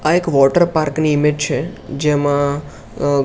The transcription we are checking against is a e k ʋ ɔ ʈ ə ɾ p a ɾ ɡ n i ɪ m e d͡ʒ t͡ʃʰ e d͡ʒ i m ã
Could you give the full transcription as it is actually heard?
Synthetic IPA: a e k ʋ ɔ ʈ ə ɾ p a ɾ k n i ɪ m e d͡ʒ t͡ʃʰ e d͡ʒ e m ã